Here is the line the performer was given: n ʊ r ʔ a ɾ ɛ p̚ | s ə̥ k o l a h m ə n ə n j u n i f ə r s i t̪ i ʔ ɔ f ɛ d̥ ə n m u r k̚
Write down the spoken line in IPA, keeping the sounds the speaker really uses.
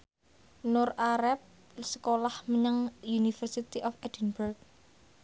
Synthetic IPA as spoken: n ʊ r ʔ a ɾ ɛ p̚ | s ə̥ k o l a h m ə ɲ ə ŋ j u n i f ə r s i t̪ i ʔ ɔ f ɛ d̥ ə n b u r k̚